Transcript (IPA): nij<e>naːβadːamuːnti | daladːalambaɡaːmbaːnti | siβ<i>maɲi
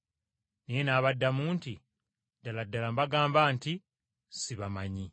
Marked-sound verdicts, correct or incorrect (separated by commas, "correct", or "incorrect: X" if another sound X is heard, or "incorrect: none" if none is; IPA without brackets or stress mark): correct, incorrect: a